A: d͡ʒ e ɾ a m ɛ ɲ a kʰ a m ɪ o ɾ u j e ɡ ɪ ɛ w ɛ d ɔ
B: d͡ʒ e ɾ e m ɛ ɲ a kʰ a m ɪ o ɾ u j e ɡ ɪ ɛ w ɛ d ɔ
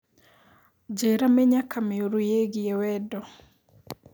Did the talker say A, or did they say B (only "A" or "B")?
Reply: A